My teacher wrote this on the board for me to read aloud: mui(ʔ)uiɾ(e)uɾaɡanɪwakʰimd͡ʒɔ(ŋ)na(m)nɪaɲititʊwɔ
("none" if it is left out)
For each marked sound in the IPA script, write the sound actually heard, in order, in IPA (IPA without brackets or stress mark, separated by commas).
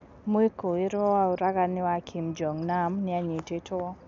k, a, ŋ, m